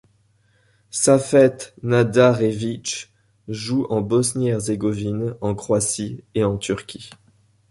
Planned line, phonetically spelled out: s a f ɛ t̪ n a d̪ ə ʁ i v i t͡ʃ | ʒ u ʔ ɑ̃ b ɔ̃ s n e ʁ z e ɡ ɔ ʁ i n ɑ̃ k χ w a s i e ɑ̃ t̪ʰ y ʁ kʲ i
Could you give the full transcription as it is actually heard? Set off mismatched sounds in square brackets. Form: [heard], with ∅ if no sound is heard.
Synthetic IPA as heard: s a f ɛ t̪ n a d̪ [a] ʁ [e] v i t͡ʃ | ʒ u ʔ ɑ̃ b [ɔ] s n [ɛ] ʁ z e ɡ ɔ [v] i n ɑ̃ k χ w a s i e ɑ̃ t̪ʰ y ʁ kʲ i

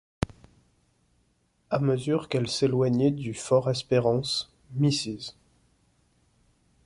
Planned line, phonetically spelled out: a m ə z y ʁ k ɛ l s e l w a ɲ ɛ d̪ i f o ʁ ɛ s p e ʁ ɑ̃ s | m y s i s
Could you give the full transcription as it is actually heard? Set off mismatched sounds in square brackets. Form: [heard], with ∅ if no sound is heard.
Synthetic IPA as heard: a m ə z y ʁ k ɛ l s e l w a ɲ ɛ d̪ [y] f [ɔ] ʁ ɛ s p e ʁ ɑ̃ s | m [i] s i [z]

